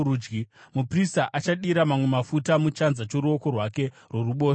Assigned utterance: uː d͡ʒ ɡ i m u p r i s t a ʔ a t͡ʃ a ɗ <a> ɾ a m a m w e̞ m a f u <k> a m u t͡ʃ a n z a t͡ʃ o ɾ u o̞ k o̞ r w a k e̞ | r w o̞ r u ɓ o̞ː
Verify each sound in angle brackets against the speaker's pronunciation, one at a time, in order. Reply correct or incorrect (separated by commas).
incorrect, incorrect